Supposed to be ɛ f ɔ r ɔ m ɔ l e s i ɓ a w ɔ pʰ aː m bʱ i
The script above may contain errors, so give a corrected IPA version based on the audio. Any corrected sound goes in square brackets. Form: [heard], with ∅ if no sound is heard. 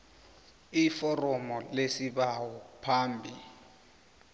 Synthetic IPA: [i] f ɔ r ɔ m ɔ l e s i ɓ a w ɔ pʰ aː m bʱ i